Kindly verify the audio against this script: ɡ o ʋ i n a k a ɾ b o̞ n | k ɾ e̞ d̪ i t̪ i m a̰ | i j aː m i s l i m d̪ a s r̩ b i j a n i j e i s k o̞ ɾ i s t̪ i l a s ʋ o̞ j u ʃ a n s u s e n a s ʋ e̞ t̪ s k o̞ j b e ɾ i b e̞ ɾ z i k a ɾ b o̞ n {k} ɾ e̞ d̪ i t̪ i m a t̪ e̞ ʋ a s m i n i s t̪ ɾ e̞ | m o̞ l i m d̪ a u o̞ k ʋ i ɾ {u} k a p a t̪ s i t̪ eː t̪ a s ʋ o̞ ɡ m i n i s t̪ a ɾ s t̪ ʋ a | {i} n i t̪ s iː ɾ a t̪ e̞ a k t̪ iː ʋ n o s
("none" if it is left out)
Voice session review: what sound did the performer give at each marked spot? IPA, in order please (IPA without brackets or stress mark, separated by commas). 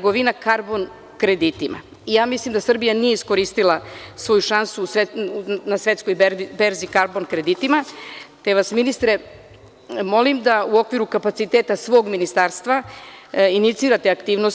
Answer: k, u, i